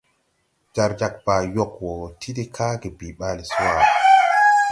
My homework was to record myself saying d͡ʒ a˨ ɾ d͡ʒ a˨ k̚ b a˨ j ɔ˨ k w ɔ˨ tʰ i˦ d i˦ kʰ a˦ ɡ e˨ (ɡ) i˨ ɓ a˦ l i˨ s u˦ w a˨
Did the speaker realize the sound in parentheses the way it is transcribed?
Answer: no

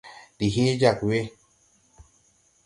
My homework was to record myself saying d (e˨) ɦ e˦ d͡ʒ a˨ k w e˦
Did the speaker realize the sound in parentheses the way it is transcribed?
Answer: no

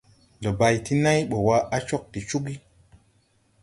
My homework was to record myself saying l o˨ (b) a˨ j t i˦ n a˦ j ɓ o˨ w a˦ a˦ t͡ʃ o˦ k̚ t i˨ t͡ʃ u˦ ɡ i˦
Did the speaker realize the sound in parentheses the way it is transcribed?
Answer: yes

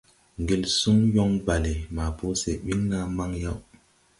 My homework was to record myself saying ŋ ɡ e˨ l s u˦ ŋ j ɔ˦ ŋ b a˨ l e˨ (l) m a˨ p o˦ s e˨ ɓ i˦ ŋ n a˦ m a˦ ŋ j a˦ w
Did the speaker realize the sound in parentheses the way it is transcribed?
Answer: no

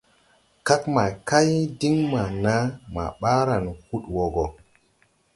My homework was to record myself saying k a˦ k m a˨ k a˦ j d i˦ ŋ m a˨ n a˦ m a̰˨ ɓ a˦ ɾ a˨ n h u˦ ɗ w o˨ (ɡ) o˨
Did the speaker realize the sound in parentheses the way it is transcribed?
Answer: yes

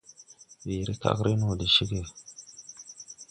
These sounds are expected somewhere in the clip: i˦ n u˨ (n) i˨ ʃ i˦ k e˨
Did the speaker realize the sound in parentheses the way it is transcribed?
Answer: no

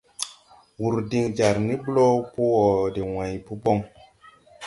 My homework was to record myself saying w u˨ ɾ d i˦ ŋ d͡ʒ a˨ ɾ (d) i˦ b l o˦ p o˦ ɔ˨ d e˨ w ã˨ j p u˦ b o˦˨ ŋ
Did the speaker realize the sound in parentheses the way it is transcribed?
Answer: no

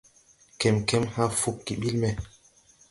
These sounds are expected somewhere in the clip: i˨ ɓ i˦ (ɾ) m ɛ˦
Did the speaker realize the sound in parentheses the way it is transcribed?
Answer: no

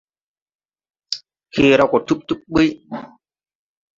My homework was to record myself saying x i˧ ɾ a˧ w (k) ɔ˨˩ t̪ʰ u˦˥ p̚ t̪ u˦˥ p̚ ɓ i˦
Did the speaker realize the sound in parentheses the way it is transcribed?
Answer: yes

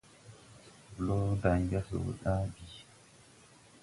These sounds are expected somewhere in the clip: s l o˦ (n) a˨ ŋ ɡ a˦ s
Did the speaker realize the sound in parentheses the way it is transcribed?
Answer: no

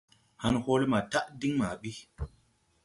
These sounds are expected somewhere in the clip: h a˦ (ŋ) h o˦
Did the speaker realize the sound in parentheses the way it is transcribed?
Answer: no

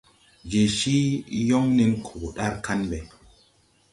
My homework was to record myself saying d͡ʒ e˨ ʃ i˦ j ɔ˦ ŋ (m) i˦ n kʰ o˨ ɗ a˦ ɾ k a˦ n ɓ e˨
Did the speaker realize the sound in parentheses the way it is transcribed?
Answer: no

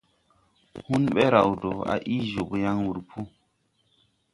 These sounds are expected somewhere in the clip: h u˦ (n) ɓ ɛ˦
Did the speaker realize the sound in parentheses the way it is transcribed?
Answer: yes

